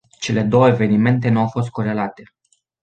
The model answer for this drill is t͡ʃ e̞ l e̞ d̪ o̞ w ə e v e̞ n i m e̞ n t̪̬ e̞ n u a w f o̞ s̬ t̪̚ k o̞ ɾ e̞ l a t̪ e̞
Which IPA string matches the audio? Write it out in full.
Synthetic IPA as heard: t͡ʃ e̞ l e̞ d̪ o̞ w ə e v e̞ n i m e̞ n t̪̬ e̞ n u a w f o̞ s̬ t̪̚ k o̞ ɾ e̞ l a t̪ e̞